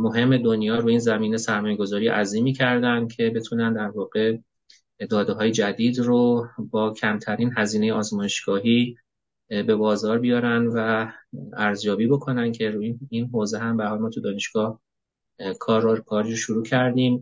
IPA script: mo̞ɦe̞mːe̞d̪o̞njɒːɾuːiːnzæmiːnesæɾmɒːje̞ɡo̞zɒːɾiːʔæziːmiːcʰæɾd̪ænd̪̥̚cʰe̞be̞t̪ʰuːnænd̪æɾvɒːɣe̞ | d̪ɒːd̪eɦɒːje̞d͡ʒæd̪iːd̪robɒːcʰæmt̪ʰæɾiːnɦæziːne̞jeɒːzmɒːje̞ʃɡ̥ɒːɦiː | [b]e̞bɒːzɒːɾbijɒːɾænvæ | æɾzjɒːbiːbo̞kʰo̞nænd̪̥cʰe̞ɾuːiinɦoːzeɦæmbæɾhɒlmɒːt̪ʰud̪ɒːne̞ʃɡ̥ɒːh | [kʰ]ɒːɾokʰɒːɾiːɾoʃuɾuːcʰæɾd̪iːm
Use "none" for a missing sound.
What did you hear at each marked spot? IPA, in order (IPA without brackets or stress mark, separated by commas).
b, kʰ